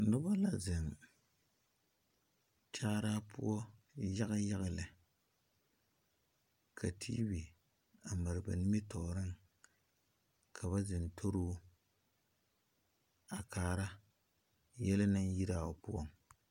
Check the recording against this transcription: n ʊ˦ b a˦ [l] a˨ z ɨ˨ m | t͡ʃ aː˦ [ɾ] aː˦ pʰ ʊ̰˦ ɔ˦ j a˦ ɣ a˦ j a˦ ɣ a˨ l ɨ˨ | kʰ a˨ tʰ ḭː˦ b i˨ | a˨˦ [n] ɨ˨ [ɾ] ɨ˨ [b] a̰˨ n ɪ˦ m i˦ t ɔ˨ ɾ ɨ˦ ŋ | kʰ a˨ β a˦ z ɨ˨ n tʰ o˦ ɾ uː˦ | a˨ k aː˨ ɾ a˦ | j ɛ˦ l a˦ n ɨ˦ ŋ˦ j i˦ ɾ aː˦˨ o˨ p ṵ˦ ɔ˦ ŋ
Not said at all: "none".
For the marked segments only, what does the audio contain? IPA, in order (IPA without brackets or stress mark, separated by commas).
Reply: l, ɾ, m, ɾ, b